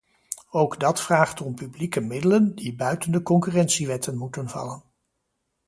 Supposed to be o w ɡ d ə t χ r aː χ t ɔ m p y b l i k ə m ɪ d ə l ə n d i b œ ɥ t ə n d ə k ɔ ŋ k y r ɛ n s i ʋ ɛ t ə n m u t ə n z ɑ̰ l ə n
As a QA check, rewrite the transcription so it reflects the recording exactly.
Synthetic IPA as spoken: o w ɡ d ɑ t f r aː χ t ɔ m p y b l i k ə m ɪ d ə l ə n d i b œ ɥ t ə n d ə k ɔ ŋ k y r ɛ n s i ʋ ɛ t ə n m u t ə n v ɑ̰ l ə n